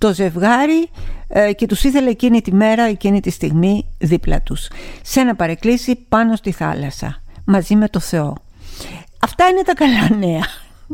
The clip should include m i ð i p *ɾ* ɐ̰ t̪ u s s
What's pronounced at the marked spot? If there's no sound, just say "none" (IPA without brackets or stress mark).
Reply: l